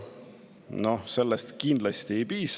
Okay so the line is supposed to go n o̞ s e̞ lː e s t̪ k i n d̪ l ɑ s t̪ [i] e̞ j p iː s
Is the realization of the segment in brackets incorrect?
no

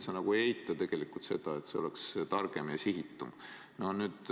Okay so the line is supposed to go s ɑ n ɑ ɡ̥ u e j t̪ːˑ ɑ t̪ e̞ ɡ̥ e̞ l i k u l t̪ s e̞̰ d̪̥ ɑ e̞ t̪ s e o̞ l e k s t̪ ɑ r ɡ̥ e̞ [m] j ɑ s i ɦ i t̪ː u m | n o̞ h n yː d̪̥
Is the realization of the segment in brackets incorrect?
no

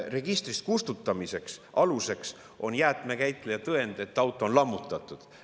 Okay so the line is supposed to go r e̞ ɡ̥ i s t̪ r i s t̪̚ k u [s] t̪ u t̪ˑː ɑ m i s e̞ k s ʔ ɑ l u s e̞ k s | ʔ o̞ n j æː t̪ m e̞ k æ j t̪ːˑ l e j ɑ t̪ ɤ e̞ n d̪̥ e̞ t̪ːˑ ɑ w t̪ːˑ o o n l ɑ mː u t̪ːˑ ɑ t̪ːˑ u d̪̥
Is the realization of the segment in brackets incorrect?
no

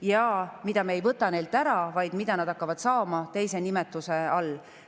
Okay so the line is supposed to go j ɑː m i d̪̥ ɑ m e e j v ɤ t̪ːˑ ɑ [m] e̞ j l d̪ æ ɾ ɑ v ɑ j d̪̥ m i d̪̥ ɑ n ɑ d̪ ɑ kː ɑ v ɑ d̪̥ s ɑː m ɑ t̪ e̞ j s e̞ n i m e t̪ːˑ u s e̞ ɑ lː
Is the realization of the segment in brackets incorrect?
yes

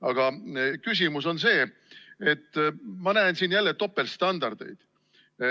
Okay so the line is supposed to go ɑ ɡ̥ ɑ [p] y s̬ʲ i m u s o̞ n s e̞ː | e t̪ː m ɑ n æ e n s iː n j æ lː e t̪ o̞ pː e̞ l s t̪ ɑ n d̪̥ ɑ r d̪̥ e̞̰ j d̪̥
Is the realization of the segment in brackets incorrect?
yes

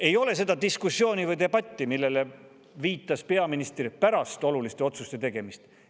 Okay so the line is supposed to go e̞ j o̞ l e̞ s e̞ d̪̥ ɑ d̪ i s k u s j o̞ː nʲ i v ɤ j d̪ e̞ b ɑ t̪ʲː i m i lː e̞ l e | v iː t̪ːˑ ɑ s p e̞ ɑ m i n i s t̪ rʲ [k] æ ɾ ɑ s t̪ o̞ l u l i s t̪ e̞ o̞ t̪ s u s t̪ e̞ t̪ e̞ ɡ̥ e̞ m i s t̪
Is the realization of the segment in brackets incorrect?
yes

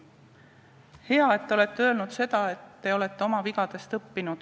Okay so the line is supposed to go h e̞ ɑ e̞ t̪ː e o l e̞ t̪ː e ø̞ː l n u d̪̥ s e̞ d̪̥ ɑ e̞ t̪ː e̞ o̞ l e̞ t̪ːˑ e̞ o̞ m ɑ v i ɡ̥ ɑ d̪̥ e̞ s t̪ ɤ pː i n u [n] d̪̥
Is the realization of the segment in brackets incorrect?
yes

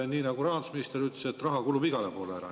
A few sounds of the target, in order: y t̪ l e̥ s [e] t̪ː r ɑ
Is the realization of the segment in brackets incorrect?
no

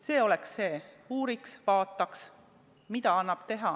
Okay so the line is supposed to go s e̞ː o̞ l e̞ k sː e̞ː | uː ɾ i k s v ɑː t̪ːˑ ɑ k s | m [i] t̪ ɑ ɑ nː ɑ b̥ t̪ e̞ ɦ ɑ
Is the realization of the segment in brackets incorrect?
no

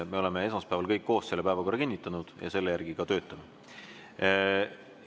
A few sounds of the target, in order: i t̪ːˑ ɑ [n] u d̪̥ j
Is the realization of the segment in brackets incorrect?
no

